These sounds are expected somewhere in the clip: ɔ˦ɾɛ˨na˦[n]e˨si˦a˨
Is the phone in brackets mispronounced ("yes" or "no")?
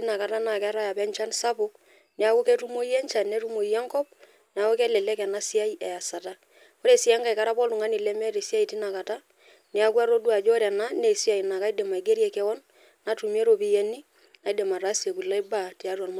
no